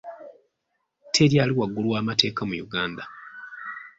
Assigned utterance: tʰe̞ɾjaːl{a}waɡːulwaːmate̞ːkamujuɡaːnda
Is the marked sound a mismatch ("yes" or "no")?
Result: yes